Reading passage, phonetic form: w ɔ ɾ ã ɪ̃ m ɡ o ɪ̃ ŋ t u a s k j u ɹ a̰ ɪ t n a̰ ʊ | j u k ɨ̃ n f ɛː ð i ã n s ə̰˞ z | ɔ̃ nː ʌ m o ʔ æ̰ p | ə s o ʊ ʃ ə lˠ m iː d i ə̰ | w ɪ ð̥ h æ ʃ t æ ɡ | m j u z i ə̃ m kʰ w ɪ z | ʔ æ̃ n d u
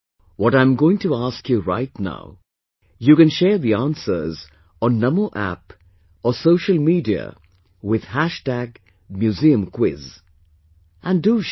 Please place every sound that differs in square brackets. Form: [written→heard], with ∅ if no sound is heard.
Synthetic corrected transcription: w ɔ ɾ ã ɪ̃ m ɡ o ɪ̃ ŋ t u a s k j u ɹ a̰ ɪ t n a̰ ʊ | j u k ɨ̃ n [f→ʃ] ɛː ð i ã n s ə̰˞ z | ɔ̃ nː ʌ m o ʔ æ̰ p | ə s o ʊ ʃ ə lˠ m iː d i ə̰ | w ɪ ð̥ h æ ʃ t æ ɡ | m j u z i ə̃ m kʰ w ɪ z | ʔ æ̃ n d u

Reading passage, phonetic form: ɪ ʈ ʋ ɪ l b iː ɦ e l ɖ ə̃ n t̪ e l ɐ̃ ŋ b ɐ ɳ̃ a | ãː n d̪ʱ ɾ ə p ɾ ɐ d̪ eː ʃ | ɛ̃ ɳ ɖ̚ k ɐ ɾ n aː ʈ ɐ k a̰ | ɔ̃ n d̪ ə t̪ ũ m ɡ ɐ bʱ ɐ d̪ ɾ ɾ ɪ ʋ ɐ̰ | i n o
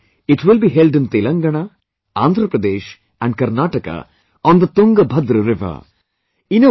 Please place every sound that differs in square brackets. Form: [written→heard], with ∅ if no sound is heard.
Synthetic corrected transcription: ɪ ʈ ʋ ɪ l b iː ɦ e l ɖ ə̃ n t̪ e l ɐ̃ ŋ [b→ɡ] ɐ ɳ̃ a | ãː n d̪ʱ ɾ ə p ɾ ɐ d̪ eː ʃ | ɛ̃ ɳ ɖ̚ k ɐ ɾ n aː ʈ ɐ k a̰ | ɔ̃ n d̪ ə t̪ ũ [m→ŋ] ɡ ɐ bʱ ɐ d̪ ɾ ɾ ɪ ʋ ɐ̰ | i n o

